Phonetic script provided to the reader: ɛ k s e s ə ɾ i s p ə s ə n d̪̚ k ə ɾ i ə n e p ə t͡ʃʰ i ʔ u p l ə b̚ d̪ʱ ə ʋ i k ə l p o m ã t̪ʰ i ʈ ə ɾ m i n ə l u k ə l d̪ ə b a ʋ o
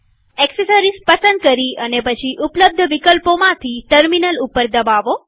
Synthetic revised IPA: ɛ k s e s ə ɾ i s p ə s ə n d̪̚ k ə ɾ i ə n e p ə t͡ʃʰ i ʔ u p l ə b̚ d̪ʱ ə ʋ i k ə l p o m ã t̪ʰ i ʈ ə ɾ m i n ə l u p ə ɾ d̪ ə b a ʋ o